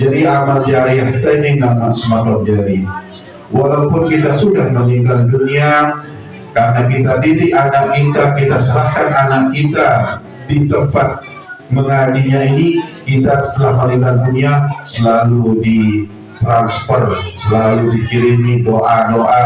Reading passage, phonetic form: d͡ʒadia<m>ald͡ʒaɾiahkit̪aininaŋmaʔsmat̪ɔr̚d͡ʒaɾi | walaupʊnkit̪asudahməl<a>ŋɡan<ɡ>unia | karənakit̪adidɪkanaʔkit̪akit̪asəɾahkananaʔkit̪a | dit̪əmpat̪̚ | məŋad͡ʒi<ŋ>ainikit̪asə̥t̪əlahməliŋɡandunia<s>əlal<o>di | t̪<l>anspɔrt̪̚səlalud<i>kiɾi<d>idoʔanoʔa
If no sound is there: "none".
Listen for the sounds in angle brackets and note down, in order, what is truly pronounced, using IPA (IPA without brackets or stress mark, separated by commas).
m, i, d, ɲ, s, u, ɾ, i, n